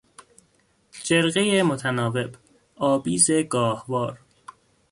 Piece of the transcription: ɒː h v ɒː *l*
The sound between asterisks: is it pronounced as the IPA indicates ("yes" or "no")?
no